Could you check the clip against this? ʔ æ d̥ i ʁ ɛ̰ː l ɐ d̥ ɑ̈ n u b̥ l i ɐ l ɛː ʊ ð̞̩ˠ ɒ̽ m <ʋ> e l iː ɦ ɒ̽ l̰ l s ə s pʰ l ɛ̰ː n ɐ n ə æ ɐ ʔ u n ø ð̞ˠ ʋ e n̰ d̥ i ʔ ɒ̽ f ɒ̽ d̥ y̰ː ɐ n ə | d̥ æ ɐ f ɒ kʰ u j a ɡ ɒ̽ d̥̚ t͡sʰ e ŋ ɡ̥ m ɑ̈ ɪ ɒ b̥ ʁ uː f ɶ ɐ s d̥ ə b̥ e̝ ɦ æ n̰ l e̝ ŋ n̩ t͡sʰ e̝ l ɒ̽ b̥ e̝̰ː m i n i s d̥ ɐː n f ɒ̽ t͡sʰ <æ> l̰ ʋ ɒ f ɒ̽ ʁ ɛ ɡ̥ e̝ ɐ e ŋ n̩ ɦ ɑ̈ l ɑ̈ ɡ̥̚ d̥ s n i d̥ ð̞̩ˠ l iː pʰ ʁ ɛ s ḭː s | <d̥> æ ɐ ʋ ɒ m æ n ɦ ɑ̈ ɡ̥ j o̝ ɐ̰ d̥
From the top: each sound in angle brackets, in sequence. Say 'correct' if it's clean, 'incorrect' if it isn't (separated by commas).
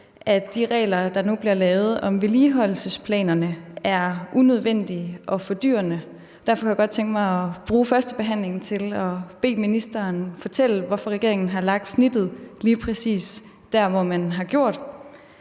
correct, incorrect, correct